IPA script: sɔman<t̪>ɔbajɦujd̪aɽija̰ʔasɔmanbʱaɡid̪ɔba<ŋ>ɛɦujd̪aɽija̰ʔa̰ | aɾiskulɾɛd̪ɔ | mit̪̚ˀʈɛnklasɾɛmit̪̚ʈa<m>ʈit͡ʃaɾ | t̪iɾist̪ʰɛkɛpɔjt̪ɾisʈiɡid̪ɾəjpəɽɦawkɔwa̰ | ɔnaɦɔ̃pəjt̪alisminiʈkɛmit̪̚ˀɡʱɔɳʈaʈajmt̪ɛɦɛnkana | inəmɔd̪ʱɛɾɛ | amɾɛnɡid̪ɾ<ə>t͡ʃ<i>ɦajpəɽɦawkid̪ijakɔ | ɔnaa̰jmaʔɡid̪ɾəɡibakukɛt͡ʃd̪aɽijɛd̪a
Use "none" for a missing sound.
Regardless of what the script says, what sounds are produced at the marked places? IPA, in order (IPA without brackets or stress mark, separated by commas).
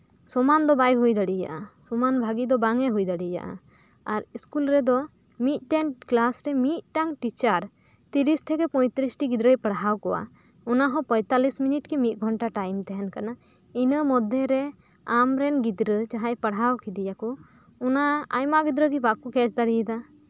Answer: d̪, ŋ, ŋ, ə, a